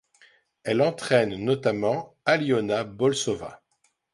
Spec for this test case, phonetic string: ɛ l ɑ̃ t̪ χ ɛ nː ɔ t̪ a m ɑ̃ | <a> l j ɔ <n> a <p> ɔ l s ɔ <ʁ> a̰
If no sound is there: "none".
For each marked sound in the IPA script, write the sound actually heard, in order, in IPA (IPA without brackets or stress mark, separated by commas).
a, n, b, v